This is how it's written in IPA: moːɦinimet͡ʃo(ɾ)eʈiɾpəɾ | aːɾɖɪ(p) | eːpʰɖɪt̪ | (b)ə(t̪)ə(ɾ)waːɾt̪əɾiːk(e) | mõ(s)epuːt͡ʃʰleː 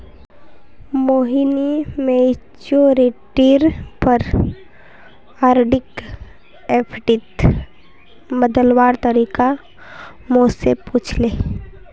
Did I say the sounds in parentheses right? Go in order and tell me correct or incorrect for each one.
correct, incorrect: k, correct, incorrect: d̪, incorrect: l, incorrect: a, correct

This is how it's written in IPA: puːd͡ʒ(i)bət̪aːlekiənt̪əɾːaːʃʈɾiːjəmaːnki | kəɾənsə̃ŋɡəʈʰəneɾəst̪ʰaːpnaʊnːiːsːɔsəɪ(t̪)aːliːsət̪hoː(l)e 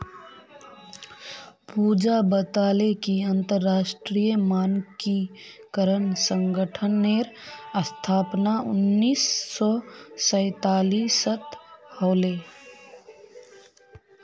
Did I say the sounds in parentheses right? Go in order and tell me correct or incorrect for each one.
incorrect: a, correct, correct

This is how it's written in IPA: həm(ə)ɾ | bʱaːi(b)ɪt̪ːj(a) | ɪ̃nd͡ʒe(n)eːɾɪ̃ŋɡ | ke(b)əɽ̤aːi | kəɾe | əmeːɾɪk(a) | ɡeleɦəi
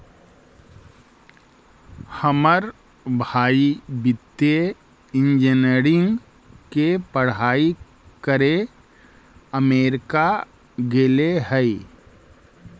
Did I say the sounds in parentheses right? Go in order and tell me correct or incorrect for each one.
correct, correct, incorrect: e, correct, incorrect: p, correct

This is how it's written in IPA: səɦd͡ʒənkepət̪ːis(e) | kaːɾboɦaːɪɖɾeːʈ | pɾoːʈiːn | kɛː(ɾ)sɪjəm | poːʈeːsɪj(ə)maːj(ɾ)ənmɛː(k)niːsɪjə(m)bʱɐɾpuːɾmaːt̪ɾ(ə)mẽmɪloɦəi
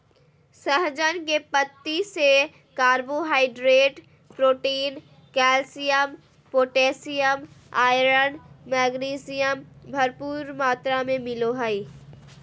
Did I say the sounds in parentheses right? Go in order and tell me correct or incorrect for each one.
correct, incorrect: l, correct, correct, incorrect: ɡ, correct, incorrect: a

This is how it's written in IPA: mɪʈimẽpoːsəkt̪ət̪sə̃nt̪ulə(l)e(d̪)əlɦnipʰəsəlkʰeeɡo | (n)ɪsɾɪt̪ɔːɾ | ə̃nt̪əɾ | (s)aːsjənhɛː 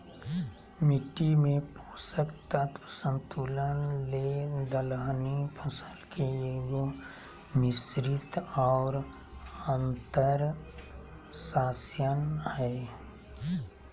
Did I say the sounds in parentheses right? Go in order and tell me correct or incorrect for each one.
correct, correct, incorrect: m, correct

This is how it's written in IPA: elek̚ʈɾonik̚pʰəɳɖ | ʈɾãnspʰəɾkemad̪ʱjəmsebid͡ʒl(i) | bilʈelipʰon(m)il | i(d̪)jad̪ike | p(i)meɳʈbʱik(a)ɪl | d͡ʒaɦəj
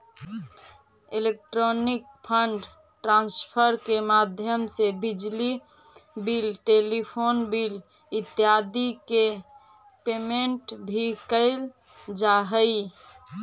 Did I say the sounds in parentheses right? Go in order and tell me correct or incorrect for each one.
correct, incorrect: b, incorrect: t̪, incorrect: e, incorrect: ə

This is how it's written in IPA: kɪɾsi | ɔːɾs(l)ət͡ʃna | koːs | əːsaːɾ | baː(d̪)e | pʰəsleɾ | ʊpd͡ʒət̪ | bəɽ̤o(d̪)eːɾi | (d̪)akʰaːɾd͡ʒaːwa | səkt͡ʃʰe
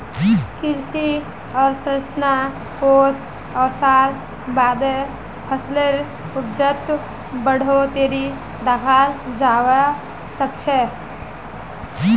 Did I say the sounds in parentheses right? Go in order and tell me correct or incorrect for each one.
incorrect: ɾ, correct, incorrect: t̪, correct

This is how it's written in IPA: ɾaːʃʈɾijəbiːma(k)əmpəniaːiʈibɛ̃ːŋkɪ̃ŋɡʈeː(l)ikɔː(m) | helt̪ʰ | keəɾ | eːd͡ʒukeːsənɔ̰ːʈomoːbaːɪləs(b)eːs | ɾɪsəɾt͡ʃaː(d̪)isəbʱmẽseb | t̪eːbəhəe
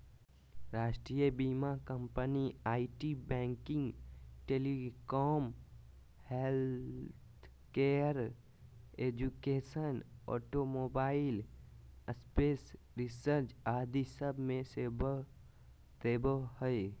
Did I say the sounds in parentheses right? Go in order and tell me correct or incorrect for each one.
correct, correct, correct, incorrect: p, correct

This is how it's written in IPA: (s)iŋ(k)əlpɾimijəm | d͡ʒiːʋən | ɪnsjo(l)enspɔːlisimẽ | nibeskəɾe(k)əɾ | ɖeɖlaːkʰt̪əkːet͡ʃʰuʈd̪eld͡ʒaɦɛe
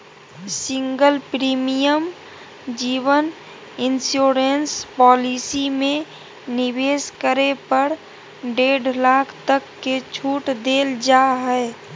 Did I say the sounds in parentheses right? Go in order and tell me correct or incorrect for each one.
correct, incorrect: ɡ, incorrect: ɾ, incorrect: p

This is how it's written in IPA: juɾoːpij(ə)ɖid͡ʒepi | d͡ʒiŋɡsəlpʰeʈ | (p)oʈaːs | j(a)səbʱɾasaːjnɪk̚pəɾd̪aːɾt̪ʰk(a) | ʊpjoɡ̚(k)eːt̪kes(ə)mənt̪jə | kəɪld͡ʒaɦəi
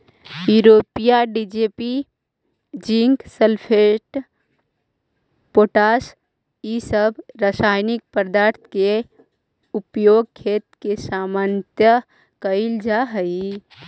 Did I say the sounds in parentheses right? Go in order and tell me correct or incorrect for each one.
incorrect: a, correct, incorrect: i, incorrect: e, incorrect: kʰ, incorrect: a

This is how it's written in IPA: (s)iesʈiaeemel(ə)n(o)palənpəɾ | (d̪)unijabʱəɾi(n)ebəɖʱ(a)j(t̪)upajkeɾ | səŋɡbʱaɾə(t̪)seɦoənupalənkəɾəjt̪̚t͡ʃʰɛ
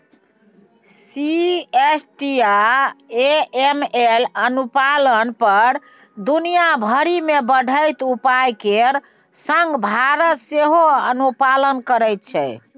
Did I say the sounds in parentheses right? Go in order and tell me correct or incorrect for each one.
correct, correct, incorrect: u, correct, incorrect: m, incorrect: ə, correct, correct

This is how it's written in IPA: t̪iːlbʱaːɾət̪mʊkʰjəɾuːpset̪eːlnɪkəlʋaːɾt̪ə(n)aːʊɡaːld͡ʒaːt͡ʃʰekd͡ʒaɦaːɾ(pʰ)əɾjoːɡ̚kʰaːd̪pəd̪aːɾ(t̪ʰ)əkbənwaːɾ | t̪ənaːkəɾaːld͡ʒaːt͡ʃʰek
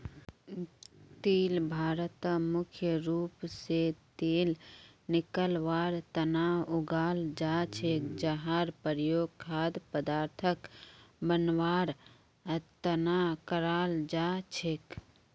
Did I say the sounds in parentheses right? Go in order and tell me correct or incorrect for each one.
correct, incorrect: p, correct

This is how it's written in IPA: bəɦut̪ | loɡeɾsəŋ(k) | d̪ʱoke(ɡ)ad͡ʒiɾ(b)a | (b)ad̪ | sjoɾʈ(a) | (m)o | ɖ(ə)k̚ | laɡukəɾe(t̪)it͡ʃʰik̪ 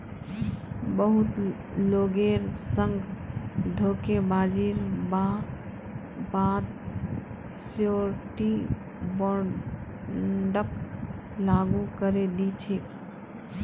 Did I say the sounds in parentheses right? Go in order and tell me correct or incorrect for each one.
incorrect: ɡ, incorrect: b, correct, correct, incorrect: i, incorrect: b, correct, incorrect: d̪

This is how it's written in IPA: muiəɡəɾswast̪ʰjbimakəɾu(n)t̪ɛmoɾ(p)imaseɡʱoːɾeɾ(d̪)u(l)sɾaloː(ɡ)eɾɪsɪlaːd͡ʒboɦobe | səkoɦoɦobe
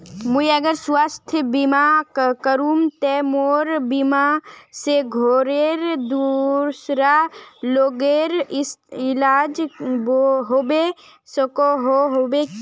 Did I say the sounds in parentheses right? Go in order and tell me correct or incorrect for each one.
incorrect: m, incorrect: b, correct, incorrect: ɾ, correct

